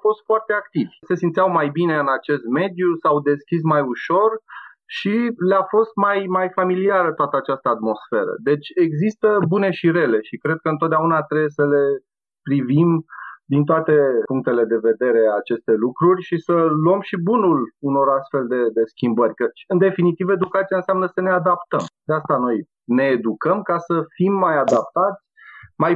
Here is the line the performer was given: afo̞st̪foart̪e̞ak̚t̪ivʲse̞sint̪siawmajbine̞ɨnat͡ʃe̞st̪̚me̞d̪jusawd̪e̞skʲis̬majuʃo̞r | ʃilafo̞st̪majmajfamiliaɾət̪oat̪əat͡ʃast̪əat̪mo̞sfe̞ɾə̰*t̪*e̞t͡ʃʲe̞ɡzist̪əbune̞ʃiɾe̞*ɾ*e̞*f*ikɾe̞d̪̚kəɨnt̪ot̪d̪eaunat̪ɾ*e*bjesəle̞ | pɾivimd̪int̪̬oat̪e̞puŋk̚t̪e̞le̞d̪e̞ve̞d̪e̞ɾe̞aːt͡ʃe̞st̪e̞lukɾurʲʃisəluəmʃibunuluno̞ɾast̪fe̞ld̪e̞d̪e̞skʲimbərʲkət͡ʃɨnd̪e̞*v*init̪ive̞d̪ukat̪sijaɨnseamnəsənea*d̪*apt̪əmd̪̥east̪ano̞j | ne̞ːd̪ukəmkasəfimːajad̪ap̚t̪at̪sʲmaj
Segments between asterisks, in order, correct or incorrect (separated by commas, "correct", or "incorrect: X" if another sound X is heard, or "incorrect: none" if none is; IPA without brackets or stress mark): incorrect: d̪, incorrect: l, incorrect: ʃ, correct, incorrect: f, correct